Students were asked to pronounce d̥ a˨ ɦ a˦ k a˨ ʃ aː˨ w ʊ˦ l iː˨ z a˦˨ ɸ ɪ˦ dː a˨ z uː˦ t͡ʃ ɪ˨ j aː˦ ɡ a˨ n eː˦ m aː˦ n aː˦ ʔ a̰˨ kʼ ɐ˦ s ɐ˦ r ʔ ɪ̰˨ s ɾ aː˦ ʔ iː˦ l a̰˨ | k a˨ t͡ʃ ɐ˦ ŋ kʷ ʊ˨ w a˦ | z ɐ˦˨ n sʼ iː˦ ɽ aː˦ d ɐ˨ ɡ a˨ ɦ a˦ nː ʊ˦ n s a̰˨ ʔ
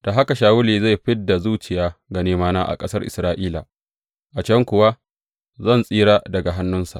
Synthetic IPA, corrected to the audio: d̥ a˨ ɦ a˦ k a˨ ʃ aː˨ w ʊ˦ l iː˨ z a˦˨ ɸ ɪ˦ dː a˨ z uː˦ t͡ʃ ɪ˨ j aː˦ ɡ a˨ n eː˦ m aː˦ n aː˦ ʔ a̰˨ kʼ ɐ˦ s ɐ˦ r ʔ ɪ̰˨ s ɾ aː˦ ʔ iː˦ l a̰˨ | ʔ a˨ t͡ʃ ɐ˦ ŋ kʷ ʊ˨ w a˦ | z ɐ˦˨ n sʼ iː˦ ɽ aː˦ d ɐ˨ ɡ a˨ ɦ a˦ nː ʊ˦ n s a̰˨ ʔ

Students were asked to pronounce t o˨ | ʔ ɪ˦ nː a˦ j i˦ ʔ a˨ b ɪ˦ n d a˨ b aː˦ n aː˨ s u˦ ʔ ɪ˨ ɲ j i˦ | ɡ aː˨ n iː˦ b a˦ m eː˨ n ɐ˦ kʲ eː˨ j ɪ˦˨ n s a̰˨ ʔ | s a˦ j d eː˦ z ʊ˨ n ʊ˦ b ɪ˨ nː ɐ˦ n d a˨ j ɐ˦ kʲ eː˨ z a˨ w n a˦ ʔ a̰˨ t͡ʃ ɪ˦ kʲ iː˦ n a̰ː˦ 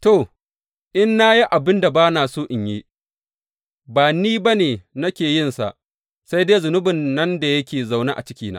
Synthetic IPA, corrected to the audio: t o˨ | ʔ ɪ˦ nː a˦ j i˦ ʔ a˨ b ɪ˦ n d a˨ b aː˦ n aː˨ s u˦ ʔ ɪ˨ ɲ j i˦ | b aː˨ n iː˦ b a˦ n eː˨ n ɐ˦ kʲ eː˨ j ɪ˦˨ n s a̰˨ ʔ | s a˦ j d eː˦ z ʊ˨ n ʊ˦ b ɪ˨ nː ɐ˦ n d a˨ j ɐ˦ kʲ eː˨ z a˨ w n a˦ ʔ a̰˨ t͡ʃ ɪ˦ kʲ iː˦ n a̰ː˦

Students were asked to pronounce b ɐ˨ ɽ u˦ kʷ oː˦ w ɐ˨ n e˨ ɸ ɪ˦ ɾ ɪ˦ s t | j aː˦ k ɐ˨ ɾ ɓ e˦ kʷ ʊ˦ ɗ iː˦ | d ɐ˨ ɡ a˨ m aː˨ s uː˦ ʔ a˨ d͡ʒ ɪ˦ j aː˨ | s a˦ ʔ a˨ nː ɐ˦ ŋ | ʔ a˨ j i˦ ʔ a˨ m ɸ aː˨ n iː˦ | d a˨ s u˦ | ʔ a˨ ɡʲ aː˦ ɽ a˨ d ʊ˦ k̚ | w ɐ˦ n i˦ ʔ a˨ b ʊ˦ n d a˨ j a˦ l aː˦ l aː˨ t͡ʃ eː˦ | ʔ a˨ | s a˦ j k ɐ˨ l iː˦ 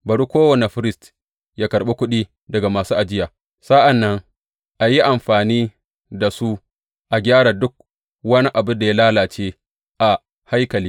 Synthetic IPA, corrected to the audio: b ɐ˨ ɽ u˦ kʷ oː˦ w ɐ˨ n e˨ ɸ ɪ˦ ɾ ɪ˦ s t | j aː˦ k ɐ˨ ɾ ɓ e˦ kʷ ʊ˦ ɗ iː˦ | d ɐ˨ ɡ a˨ m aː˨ s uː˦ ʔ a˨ d͡ʒ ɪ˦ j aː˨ | s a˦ ʔ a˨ nː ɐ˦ ŋ | ʔ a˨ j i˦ ʔ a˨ m ɸ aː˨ n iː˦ | d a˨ s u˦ | ʔ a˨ ɡʲ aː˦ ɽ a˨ d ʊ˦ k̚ | w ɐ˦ n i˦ ʔ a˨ b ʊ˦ n d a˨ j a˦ l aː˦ l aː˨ t͡ʃ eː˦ | ʔ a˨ | h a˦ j k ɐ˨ l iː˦

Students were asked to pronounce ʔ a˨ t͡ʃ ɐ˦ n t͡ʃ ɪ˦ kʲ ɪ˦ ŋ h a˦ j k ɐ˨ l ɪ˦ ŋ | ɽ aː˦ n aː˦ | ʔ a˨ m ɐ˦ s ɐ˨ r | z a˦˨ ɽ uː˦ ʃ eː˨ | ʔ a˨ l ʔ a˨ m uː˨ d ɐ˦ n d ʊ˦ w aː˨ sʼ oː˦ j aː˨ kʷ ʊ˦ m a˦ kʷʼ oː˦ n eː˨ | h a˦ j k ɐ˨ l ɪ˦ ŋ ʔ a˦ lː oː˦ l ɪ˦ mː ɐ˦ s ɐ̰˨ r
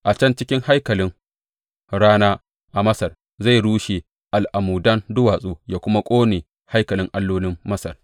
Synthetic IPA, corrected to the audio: ʔ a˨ t͡ʃ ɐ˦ n t͡ʃ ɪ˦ kʲ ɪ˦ ŋ h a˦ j k ɐ˨ l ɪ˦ ŋ | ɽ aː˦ n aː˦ | ʔ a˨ m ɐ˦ s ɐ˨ r | z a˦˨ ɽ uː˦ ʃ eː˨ | ʔ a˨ l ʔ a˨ m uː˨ d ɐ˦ n d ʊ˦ w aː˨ sʼ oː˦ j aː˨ kʷ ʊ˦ m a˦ kʷʼ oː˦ n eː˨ | h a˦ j k ɐ˨ l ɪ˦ ŋ ʔ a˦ lː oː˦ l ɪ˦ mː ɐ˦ s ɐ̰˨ r

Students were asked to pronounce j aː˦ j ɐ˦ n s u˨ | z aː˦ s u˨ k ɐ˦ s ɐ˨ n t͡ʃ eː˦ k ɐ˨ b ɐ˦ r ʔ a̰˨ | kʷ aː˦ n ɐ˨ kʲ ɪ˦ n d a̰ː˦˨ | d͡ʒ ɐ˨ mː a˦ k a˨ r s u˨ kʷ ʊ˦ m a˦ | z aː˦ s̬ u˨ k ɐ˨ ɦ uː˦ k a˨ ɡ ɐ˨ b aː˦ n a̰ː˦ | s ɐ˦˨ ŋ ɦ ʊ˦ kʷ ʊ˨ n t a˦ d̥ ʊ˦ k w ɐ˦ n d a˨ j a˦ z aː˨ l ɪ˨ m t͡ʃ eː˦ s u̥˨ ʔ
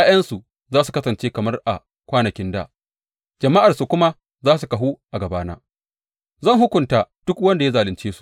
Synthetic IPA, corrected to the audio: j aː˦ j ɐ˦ n s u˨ | z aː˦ s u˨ k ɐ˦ s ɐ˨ n t͡ʃ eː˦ k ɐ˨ m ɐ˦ r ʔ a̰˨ | kʷ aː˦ n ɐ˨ kʲ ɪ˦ n d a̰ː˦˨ | d͡ʒ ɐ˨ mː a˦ ʔ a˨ r s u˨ kʷ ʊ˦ m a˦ | z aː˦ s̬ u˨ k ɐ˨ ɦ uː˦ ʔ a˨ ɡ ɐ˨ b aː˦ n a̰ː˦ | z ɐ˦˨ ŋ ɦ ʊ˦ kʷ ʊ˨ n t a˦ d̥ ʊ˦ k w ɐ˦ n d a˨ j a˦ z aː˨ l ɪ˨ n t͡ʃ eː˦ s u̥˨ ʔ

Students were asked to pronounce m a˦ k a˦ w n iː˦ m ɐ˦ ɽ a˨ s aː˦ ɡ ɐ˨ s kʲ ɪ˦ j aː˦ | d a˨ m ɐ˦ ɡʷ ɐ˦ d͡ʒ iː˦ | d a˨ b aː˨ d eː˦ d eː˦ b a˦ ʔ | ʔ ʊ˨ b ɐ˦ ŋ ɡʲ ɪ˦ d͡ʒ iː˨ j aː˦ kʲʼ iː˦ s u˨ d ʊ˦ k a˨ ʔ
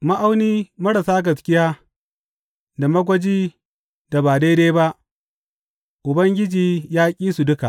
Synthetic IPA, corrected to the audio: m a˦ ʔ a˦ w n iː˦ m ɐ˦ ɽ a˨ s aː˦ ɡ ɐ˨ s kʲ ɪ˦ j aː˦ | d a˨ m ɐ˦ ɡʷ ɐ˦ d͡ʒ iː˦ | d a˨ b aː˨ d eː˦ d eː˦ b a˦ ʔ | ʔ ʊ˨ b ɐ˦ ŋ ɡʲ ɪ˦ d͡ʒ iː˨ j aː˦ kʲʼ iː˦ s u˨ d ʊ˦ k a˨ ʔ

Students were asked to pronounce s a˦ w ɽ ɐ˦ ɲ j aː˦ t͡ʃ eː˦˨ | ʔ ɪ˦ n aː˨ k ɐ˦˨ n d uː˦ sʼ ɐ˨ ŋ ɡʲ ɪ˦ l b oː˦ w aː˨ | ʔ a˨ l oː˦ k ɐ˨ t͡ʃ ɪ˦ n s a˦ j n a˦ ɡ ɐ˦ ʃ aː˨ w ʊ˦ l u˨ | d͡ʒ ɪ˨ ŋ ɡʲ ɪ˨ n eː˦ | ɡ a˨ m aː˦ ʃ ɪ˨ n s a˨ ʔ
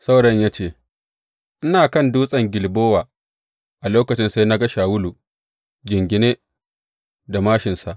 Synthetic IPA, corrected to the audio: s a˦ w ɽ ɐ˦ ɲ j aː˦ t͡ʃ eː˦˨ | ʔ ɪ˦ n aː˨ k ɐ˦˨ n d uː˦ sʼ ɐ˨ ŋ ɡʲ ɪ˨ l b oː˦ w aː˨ | ʔ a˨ l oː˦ k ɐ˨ t͡ʃ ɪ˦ n s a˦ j n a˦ ɡ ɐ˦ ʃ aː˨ w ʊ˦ l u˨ | d͡ʒ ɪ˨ ŋ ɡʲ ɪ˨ n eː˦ | d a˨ m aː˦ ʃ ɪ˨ n s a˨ ʔ

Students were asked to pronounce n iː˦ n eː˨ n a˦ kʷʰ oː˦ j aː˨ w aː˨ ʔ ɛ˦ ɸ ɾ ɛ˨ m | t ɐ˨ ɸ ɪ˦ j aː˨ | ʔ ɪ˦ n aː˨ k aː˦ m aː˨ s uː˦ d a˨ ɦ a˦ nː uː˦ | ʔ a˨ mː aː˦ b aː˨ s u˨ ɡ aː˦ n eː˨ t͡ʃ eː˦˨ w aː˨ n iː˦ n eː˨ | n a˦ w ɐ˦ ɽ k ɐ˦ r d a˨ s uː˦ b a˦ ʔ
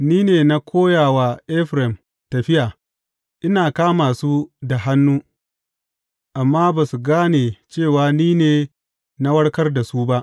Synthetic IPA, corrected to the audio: n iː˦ n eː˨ n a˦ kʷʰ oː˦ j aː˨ w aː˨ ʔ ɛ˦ ɸ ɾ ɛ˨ m | t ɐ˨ ɸ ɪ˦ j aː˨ | ʔ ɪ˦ n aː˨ k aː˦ m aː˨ s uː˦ d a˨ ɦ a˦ nː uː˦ | ʔ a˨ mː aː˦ b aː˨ s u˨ ɡ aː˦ n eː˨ t͡ʃ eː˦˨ w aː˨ n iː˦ n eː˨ | n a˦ w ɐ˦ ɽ k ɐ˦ r d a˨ s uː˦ b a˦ ʔ

